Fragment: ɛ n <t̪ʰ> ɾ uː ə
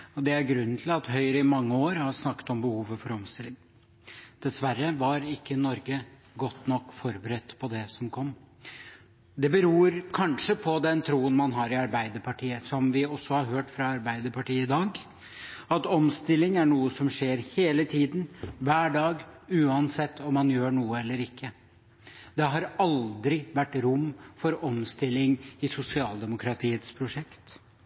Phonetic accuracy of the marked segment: correct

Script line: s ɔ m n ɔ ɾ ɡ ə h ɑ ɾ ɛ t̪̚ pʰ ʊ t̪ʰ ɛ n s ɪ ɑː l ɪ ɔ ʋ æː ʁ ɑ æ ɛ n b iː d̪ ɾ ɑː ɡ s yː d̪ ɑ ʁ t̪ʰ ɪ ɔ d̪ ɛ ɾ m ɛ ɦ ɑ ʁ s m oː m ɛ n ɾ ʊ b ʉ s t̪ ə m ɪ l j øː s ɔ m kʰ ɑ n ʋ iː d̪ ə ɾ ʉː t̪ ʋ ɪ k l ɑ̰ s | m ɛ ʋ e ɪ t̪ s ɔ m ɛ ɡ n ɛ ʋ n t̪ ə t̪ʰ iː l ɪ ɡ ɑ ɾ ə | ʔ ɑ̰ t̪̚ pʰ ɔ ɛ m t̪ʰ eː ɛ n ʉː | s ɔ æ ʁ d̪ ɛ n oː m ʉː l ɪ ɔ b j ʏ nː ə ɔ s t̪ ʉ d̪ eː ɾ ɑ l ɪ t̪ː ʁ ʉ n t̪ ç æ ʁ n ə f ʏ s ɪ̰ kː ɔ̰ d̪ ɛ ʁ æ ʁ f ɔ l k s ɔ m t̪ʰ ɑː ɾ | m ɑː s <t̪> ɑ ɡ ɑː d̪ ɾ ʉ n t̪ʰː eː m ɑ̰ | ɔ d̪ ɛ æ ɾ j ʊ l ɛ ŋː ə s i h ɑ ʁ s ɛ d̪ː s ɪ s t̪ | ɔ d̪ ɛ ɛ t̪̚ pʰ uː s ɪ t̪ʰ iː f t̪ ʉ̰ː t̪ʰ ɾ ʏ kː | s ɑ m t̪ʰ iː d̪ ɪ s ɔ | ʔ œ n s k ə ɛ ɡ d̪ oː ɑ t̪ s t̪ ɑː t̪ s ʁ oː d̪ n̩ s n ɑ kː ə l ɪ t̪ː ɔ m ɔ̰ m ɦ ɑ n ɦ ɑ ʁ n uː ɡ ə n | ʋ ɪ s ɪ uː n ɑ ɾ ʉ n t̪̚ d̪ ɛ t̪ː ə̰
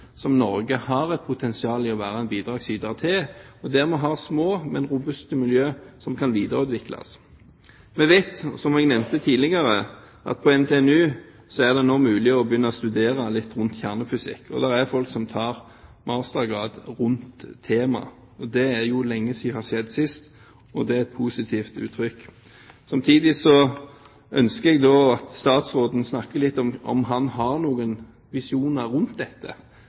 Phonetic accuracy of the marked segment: correct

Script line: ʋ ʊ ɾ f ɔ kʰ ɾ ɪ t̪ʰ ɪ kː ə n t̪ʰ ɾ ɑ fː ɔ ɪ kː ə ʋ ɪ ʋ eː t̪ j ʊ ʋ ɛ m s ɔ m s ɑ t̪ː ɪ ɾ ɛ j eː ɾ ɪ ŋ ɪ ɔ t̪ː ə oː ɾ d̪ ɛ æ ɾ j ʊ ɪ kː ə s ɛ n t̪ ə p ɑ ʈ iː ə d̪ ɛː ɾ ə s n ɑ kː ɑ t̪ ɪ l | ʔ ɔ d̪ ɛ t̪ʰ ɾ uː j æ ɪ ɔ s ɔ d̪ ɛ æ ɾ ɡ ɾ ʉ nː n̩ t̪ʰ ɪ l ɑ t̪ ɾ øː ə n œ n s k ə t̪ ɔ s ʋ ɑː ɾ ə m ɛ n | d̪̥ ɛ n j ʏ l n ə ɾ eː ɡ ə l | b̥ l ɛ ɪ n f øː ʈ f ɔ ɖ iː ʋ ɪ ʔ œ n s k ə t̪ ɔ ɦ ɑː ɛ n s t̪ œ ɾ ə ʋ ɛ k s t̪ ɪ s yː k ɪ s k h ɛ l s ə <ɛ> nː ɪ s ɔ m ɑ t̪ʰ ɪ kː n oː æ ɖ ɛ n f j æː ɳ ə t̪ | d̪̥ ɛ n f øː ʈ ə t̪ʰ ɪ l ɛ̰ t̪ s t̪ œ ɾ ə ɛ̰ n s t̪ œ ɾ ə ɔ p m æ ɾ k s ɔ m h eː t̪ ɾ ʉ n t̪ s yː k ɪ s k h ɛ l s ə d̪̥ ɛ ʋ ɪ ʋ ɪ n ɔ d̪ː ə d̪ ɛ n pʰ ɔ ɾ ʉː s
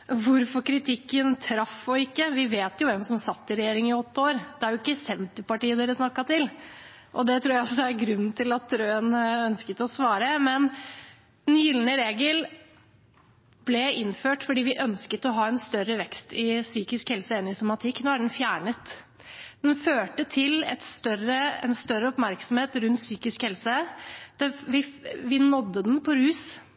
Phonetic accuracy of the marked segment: correct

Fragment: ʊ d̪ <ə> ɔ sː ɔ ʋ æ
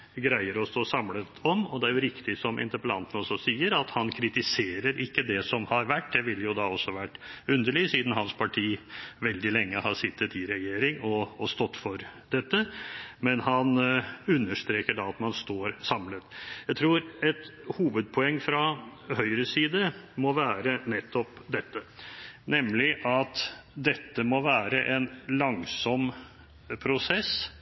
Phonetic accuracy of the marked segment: incorrect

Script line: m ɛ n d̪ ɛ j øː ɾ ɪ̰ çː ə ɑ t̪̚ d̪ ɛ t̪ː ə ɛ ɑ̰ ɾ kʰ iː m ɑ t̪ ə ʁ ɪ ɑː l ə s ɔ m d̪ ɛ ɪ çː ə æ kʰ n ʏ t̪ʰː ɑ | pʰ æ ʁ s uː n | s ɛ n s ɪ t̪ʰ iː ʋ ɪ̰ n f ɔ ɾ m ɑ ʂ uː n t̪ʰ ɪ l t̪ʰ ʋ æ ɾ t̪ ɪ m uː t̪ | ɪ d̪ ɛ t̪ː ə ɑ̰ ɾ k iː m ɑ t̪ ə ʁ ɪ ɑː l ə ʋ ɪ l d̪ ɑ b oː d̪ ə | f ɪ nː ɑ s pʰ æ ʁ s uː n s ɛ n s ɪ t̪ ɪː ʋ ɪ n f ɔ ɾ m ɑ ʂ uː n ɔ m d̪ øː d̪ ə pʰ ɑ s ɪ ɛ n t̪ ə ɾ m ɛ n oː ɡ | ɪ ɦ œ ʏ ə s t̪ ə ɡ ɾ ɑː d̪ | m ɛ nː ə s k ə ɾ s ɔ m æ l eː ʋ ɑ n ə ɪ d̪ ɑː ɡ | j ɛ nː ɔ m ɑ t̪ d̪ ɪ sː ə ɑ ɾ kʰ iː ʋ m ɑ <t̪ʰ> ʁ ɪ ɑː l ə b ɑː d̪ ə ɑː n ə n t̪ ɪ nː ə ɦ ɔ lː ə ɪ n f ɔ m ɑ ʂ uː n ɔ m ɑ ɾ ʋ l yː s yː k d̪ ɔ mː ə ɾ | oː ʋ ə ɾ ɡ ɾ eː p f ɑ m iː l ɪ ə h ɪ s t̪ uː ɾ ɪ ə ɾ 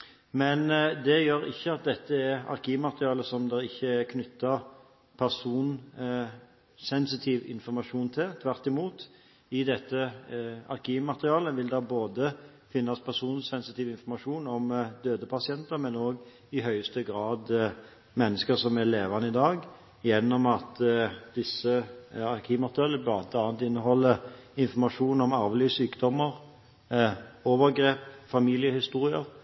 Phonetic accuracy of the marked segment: incorrect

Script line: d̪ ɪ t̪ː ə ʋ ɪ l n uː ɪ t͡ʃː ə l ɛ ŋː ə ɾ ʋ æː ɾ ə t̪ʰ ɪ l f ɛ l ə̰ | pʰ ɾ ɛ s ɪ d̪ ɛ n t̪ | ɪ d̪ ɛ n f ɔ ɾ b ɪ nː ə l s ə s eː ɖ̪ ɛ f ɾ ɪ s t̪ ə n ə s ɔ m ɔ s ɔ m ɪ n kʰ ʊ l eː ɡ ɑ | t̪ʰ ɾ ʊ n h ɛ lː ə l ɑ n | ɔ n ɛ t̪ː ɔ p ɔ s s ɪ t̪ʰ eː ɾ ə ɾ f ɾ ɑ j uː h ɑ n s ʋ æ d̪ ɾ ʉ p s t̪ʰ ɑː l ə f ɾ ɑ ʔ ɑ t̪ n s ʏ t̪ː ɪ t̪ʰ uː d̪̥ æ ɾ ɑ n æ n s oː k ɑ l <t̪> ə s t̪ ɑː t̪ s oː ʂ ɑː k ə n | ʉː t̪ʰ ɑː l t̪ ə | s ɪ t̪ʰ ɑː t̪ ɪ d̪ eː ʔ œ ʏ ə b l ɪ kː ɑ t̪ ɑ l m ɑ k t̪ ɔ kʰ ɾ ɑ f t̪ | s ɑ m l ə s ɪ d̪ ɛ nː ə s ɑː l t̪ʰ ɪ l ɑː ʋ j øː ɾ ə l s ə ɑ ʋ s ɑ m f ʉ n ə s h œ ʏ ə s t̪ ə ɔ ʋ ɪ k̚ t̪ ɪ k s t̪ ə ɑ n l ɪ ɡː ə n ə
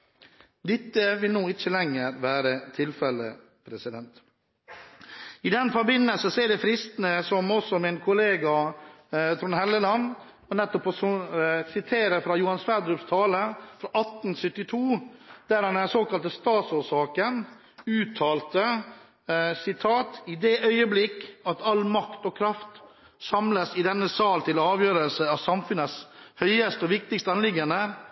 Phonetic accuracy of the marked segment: correct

